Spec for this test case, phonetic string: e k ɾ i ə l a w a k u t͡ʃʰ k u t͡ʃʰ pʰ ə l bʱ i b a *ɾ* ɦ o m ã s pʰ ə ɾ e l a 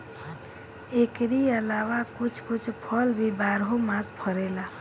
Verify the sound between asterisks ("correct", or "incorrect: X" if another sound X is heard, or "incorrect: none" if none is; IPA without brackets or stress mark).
correct